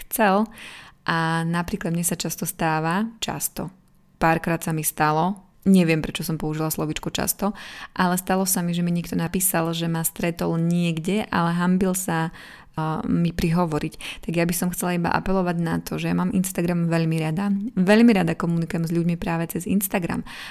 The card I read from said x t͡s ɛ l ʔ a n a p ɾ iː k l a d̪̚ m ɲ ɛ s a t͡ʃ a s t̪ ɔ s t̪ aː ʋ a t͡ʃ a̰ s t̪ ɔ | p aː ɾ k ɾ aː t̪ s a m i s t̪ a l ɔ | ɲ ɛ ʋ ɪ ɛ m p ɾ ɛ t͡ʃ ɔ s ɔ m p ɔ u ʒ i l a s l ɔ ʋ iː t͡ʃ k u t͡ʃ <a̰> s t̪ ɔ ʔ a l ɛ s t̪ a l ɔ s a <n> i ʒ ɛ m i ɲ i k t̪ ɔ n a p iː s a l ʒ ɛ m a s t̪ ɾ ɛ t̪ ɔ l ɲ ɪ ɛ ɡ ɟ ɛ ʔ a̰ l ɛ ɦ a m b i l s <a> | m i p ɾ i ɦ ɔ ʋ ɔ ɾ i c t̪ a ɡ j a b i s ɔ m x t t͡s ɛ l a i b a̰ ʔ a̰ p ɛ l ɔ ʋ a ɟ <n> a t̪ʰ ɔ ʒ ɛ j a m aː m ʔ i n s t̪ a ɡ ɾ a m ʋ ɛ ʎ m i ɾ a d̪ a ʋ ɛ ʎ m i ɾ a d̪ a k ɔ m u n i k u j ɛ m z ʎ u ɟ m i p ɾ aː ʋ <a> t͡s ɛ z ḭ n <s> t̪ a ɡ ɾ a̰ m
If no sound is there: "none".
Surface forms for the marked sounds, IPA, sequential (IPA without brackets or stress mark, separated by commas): a̰, m, a, n, ɛ, s